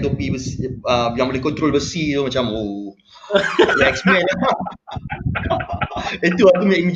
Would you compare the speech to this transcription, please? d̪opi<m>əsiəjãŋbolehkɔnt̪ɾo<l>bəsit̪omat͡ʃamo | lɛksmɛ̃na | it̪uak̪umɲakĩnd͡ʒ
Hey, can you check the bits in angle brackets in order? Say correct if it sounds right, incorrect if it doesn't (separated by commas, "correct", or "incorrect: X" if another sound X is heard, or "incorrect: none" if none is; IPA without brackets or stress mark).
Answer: incorrect: b, correct